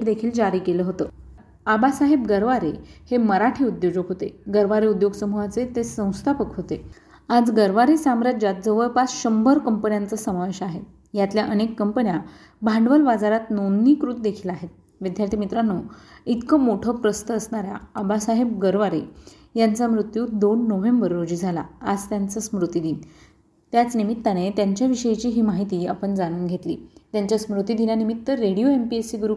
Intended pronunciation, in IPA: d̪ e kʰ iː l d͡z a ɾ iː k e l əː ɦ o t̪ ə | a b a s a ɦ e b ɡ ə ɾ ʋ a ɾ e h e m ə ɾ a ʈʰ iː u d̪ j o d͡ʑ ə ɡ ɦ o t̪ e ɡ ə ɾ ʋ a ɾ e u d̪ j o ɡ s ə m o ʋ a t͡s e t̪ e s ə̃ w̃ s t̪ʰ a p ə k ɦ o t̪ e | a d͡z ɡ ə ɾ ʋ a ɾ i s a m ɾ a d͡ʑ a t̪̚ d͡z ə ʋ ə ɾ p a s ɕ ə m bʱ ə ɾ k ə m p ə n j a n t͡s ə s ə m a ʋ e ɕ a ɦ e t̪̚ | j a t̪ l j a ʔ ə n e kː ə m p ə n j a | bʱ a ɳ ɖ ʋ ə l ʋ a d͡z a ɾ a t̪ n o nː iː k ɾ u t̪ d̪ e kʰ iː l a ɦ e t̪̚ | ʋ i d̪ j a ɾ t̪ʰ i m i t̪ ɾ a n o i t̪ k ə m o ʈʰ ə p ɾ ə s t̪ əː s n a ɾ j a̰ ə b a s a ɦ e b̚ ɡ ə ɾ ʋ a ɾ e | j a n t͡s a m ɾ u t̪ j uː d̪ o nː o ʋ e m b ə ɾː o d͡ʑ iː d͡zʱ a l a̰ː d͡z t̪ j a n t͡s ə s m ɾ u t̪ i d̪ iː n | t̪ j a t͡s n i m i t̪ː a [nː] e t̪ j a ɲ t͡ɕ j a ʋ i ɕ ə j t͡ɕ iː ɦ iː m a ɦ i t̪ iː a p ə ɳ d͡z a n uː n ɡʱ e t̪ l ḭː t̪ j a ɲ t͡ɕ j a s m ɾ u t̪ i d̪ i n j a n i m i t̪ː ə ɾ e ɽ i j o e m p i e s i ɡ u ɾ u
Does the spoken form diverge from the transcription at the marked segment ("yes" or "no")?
yes